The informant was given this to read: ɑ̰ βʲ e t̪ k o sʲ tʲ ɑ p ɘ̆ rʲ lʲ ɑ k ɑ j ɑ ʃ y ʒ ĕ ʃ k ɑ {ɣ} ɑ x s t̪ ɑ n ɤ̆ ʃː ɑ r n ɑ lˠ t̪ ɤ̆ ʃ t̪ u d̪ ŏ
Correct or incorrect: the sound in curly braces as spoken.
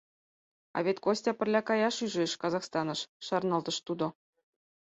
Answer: incorrect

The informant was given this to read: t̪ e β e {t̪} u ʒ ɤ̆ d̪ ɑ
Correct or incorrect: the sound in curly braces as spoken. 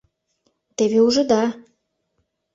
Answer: incorrect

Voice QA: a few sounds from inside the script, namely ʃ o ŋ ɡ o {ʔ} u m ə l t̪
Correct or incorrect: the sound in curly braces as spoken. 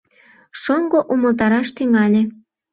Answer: correct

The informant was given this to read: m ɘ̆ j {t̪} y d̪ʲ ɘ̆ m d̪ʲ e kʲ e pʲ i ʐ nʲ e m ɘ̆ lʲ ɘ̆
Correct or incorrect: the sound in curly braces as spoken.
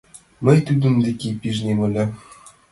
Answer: correct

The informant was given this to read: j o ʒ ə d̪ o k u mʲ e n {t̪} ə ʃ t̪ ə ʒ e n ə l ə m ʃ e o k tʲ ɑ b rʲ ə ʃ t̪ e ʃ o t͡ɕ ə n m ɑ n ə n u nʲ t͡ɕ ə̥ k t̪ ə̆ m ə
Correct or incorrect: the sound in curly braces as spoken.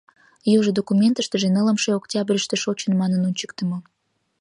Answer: correct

